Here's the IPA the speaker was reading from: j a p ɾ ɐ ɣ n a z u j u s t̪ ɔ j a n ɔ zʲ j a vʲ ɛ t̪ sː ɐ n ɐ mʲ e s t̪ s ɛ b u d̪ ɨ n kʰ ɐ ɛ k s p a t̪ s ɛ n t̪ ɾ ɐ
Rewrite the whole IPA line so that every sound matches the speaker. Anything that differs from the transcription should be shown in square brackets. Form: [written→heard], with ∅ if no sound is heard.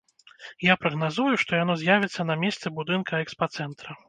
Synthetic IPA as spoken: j a p ɾ ɐ ɣ n a z u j u [s→ʂ] t̪ ɔ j a n ɔ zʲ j a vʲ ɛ t̪ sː ɐ n ɐ mʲ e s t̪ s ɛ b u d̪ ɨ n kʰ ɐ ɛ k s p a t̪ s ɛ n t̪ ɾ ɐ